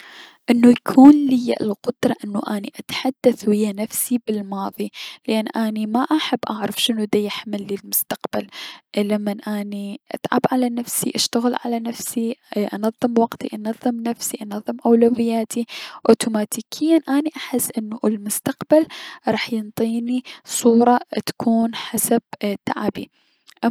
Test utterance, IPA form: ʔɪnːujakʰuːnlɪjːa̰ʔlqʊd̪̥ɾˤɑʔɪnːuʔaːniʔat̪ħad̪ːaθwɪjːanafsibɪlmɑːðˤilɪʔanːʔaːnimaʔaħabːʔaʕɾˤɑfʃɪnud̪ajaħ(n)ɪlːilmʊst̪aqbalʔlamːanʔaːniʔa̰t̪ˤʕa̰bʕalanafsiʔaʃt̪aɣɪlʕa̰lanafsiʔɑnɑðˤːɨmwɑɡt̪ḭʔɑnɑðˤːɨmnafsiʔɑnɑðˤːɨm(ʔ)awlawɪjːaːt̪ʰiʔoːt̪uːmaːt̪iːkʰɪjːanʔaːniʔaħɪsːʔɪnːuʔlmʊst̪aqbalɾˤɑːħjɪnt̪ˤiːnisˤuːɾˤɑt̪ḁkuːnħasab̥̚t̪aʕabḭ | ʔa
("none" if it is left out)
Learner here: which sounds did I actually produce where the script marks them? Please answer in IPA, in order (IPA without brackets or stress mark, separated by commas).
m, ʔ